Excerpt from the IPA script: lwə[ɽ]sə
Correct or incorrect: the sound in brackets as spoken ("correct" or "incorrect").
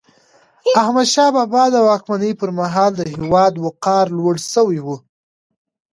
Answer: correct